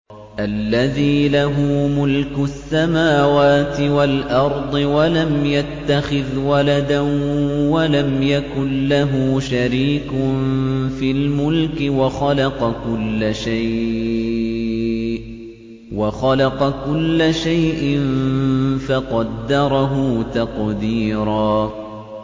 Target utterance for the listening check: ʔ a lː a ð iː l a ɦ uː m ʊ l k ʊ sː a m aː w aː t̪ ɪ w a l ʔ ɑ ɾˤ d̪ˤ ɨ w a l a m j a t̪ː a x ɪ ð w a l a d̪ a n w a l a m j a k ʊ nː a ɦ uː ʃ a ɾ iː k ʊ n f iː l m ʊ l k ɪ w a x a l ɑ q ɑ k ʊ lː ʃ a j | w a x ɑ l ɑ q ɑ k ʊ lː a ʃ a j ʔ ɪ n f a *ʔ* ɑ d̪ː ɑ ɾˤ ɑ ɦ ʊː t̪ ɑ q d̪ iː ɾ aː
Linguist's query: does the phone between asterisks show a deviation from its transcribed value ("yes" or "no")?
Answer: yes